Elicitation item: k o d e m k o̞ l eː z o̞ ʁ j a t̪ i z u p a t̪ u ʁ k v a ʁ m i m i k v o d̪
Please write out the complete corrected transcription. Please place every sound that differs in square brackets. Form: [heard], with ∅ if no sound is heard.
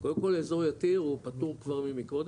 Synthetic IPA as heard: k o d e m k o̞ l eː z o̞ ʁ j a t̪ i [ʁ] u p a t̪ u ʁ k v a ʁ m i m i k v o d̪